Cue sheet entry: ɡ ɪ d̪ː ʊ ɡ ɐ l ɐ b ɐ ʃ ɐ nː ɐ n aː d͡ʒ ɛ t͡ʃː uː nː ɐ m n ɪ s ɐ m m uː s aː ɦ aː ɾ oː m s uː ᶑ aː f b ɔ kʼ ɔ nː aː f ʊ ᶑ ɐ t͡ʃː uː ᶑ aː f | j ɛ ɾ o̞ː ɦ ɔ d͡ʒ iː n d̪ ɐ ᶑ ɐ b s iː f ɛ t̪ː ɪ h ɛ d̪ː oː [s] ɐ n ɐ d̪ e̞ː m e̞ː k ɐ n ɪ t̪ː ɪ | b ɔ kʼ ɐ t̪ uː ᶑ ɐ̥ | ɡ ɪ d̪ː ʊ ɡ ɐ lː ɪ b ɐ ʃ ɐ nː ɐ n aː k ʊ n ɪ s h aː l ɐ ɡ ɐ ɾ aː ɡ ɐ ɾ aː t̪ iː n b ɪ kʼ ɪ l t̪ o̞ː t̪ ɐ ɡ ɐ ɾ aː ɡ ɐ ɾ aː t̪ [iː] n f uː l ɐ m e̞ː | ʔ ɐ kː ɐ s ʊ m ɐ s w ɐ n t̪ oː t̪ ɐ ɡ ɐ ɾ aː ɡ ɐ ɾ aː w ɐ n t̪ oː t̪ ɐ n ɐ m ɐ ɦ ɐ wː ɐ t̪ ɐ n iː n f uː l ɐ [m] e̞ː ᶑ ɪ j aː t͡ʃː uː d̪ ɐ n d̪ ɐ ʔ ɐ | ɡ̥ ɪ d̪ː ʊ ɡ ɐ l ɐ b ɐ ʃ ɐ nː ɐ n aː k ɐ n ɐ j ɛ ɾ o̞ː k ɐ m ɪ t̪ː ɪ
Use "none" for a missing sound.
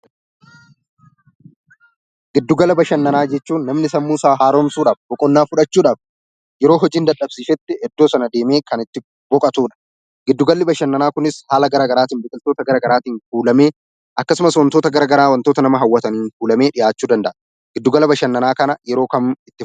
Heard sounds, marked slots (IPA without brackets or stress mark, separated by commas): s, iː, m